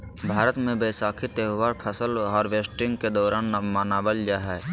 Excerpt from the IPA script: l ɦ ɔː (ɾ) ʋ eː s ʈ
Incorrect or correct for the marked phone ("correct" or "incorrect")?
correct